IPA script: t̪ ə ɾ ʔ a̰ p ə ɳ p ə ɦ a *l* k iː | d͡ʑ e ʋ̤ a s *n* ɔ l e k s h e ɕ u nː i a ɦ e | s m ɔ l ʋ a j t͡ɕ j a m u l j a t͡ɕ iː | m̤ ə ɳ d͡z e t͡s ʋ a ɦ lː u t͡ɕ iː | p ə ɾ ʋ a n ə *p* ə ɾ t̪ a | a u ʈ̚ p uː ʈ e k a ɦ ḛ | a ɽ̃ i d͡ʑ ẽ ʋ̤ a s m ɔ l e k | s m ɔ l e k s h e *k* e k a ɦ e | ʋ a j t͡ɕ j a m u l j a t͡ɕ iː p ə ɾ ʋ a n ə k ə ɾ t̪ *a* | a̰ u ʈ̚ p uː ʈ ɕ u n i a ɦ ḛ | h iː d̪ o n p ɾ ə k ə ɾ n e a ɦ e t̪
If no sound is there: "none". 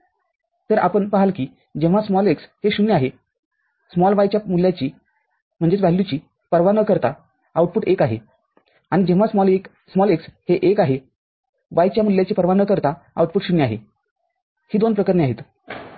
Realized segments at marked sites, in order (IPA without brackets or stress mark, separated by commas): l, m, k, ʔ, a